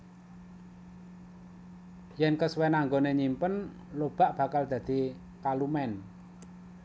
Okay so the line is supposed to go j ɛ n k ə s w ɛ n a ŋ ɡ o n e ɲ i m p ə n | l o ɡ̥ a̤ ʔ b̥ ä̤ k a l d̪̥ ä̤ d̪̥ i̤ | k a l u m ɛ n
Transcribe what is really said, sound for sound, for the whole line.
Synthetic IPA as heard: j ɛ n k ə s w ɛ n a ŋ ɡ o n e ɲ i m p ə n | l o b̥ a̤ ʔ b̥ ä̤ k a l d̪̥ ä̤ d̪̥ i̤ | k a l u m ɛ n